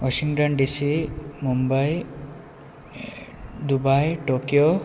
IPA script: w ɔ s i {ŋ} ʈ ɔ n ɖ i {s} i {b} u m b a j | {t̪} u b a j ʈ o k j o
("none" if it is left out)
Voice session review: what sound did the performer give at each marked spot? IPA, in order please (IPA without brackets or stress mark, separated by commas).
ŋ, s, m, d̪